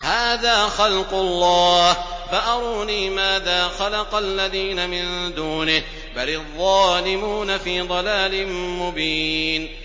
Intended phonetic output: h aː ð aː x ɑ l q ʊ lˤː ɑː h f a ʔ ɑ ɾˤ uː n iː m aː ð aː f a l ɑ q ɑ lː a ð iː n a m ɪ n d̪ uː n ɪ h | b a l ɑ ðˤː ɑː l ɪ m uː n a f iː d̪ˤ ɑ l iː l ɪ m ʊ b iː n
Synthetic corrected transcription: h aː ð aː x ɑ l q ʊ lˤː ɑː h f a ʔ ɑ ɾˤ uː n iː m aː ð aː x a l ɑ q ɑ lː a ð iː n a m ɪ n d̪ uː n ɪ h | b a l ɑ ðˤː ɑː l ɪ m uː n a f iː d̪ˤ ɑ l aː l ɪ m ʊ b iː n